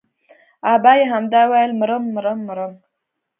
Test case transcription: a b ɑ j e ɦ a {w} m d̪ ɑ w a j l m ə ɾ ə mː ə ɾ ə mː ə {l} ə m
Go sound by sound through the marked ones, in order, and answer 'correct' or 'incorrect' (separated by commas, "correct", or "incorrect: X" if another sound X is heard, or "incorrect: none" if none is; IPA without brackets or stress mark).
incorrect: none, incorrect: ɾ